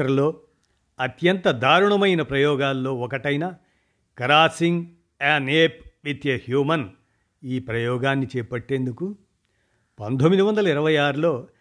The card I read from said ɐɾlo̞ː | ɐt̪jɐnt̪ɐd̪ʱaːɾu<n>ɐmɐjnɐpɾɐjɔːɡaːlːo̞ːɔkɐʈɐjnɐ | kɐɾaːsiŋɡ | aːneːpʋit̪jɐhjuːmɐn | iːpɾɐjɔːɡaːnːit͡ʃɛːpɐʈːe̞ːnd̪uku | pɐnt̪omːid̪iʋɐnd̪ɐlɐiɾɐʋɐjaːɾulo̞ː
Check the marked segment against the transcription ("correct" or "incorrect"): incorrect